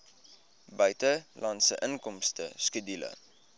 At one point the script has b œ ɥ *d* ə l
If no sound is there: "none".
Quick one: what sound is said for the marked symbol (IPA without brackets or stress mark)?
t